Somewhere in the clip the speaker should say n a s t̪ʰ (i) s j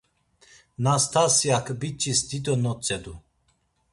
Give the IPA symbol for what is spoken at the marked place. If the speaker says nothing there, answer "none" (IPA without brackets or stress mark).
a